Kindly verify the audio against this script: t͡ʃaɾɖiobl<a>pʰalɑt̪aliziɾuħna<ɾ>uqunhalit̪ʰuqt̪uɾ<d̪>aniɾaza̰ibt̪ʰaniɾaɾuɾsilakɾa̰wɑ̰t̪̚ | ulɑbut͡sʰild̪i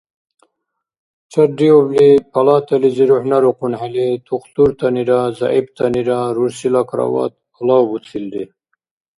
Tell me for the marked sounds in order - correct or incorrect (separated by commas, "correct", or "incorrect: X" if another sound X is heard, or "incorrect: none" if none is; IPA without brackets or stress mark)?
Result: incorrect: i, correct, incorrect: t̪